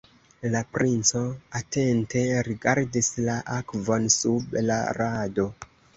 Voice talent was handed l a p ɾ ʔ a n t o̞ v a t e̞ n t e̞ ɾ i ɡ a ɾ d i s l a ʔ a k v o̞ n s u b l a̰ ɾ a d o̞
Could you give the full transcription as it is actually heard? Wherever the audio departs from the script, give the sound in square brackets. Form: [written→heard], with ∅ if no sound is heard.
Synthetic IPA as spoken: l a p ɾ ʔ [a→i] n [t→t͡s] o̞ [v→∅] a t e̞ n t e̞ ɾ i ɡ a ɾ d i s l a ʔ a k v o̞ n s u b l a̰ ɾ a d o̞